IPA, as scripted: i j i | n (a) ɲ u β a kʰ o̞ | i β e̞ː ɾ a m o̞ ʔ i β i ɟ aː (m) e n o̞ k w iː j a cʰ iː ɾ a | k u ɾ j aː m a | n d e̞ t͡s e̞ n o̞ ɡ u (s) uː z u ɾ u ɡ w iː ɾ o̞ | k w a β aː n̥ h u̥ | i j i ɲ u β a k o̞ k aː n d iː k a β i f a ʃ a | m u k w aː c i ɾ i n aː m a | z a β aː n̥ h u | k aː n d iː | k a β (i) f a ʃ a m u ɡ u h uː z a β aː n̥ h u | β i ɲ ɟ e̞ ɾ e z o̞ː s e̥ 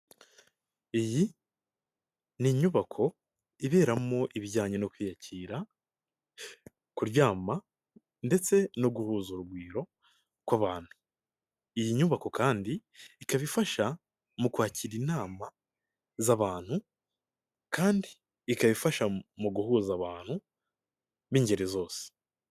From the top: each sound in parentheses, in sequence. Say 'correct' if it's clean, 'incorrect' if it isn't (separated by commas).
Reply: incorrect, incorrect, incorrect, correct